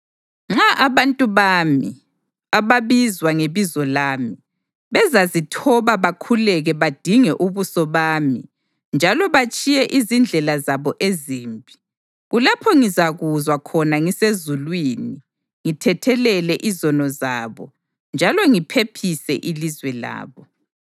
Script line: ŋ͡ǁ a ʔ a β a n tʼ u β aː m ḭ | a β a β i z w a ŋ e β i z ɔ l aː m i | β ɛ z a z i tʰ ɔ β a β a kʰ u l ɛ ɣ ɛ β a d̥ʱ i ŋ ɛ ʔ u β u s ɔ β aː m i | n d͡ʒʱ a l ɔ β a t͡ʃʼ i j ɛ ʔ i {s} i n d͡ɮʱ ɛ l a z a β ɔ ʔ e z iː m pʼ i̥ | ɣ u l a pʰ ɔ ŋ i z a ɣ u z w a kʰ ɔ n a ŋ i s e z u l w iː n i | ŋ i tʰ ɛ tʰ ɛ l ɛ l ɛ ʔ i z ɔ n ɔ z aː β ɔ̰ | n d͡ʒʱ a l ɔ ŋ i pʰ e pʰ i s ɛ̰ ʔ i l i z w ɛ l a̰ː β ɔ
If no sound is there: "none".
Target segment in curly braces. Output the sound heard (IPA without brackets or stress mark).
z